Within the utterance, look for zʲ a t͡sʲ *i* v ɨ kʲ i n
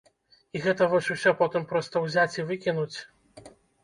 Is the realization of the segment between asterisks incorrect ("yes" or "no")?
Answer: no